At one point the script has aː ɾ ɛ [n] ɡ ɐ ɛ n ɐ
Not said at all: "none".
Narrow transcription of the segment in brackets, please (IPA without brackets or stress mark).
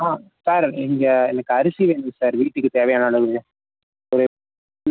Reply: ŋ